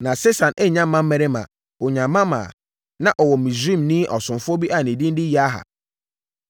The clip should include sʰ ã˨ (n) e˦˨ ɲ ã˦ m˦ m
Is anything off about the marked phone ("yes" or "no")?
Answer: no